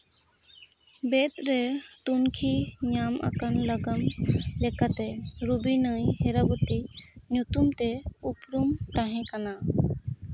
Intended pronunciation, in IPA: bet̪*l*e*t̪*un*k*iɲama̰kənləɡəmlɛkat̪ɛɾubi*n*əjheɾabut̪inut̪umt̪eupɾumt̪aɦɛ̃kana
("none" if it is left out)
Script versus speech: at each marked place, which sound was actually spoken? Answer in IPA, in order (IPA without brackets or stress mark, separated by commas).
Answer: ɾ, t̪, kʰ, n